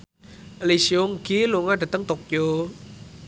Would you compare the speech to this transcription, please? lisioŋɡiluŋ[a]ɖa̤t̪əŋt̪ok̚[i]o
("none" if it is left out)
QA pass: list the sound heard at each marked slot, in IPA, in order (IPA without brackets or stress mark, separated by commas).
a, j